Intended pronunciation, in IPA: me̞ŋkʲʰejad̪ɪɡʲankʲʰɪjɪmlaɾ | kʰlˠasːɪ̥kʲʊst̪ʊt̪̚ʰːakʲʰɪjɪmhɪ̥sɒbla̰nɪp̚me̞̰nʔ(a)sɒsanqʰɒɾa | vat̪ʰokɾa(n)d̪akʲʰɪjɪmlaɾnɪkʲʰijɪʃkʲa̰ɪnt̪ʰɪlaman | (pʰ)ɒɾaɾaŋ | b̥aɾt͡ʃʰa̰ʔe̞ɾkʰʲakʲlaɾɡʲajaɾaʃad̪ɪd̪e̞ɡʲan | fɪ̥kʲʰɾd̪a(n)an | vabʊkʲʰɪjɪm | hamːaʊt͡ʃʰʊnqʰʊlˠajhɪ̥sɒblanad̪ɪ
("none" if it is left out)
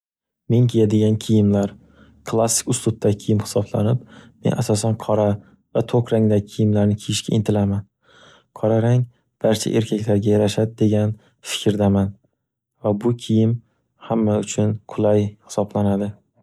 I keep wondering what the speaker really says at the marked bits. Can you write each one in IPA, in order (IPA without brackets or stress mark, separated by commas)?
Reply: a, ŋ, qʰ, m